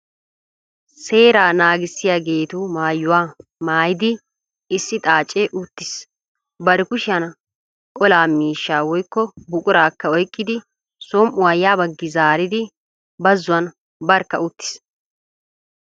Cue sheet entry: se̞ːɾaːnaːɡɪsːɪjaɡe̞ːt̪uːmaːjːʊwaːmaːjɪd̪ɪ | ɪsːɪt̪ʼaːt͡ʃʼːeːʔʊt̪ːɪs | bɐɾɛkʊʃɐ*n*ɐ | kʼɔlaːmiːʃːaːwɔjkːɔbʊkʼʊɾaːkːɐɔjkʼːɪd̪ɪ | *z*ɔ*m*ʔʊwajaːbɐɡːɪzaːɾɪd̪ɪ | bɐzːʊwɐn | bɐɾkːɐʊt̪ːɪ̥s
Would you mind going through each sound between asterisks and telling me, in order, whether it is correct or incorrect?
correct, incorrect: s, correct

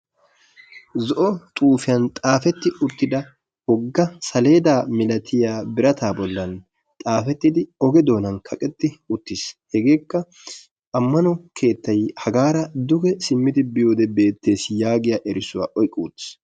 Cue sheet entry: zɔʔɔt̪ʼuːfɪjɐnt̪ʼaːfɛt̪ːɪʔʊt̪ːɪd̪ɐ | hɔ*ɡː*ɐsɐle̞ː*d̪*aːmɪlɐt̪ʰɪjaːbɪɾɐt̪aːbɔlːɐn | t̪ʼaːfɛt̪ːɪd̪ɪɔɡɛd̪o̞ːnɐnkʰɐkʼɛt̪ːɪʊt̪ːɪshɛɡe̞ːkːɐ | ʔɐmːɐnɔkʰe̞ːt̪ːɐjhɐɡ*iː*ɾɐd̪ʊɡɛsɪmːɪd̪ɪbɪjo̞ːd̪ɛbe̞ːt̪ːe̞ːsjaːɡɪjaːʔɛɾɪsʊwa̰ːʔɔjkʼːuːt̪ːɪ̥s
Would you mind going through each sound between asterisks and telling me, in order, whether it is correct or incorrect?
correct, correct, incorrect: aː

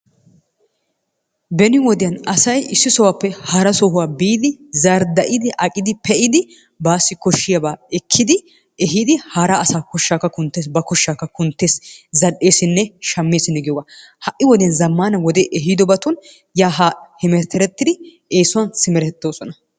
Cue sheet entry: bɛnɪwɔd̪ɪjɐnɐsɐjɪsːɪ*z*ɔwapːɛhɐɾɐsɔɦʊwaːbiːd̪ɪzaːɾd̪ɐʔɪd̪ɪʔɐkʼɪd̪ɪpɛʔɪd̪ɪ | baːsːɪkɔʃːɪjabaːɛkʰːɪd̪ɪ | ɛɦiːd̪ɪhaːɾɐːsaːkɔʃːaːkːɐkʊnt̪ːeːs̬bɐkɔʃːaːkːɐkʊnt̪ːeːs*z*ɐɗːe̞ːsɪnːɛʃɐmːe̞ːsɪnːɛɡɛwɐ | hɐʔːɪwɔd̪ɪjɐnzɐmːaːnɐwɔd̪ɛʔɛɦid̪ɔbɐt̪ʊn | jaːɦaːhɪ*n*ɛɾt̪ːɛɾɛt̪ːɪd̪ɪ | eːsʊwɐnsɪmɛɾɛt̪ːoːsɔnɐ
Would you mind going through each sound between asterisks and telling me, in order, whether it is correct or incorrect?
incorrect: s, correct, incorrect: m

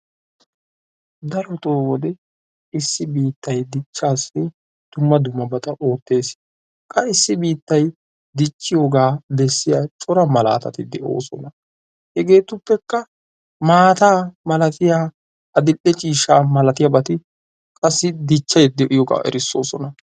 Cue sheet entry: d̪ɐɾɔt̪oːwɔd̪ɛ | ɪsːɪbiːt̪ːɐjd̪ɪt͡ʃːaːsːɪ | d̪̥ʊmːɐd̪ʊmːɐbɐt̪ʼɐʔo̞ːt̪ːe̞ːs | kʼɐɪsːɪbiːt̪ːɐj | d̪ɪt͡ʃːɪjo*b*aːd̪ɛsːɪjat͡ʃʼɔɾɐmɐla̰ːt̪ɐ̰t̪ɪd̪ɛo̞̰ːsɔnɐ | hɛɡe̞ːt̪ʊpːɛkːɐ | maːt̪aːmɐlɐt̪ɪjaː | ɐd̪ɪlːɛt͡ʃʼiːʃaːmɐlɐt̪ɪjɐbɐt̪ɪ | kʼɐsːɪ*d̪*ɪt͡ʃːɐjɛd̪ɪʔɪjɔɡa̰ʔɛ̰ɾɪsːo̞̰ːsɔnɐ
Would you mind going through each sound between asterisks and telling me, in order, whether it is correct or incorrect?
incorrect: ɡ, correct

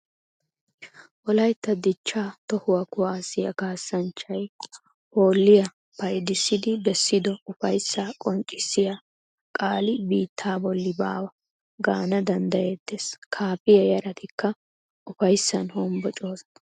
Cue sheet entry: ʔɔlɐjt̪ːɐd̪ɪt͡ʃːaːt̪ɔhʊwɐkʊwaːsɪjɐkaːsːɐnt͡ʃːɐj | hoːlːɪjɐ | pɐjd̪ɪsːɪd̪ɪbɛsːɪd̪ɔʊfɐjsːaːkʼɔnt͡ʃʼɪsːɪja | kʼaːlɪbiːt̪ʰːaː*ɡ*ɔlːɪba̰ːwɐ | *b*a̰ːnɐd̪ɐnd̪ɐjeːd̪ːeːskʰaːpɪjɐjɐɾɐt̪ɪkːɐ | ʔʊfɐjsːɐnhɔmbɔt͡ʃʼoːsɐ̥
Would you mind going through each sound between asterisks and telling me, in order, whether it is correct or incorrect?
incorrect: b, incorrect: ɡ

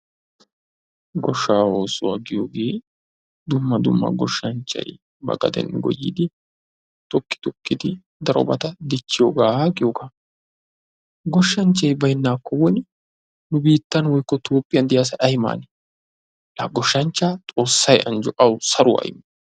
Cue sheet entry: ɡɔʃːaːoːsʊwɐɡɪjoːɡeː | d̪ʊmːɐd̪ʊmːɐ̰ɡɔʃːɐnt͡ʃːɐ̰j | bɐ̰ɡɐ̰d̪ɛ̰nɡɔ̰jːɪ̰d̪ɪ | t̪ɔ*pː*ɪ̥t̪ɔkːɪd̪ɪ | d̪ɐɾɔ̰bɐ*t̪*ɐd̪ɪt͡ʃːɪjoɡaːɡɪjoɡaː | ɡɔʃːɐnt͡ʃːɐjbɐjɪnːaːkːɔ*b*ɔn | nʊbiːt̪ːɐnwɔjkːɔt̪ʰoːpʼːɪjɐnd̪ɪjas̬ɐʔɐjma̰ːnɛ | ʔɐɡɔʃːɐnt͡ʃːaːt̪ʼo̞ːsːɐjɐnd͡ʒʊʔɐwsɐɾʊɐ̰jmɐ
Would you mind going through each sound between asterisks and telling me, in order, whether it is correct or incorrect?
incorrect: kː, correct, incorrect: w

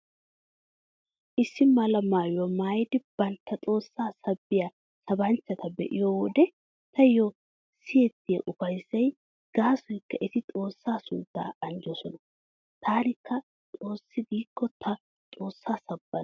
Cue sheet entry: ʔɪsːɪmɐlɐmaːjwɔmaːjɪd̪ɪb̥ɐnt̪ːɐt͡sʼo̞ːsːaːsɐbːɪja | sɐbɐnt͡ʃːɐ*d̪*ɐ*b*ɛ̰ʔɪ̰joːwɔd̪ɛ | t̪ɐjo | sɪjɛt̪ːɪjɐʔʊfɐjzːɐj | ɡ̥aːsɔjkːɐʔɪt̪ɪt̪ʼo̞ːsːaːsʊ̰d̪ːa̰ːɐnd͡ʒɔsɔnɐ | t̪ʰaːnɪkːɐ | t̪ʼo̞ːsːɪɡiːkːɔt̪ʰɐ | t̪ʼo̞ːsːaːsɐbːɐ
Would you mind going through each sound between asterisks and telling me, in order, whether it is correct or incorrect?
incorrect: t̪, correct

